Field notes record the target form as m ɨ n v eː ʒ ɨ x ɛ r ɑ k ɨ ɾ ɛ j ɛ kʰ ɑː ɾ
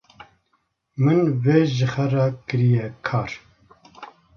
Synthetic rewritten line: m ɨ n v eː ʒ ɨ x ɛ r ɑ k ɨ ɾ i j ɛ kʰ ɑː ɾ